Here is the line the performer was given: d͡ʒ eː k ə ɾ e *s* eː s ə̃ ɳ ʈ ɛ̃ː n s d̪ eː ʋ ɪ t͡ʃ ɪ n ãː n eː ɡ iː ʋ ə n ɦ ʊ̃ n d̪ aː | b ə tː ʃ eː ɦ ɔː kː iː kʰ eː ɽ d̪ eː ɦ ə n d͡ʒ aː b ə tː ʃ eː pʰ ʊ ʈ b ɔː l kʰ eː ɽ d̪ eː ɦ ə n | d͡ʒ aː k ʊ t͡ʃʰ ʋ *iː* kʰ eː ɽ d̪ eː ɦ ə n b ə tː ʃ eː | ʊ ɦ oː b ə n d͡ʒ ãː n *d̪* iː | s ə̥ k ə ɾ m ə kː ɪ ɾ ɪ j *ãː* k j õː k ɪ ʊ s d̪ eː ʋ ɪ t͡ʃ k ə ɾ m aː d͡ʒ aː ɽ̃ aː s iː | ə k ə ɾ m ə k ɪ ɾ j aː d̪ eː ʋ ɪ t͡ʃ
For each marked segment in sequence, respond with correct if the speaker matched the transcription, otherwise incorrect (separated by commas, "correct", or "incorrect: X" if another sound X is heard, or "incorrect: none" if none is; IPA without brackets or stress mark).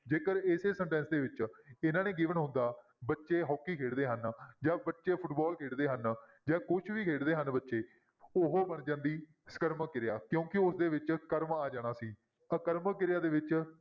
correct, correct, correct, incorrect: aː